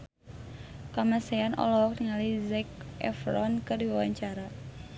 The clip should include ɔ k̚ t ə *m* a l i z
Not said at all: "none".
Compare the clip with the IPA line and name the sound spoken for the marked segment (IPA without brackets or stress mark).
ŋ